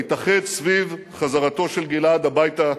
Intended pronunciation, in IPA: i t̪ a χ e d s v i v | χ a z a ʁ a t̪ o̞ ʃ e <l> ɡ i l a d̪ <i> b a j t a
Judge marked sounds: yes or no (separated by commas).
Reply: yes, no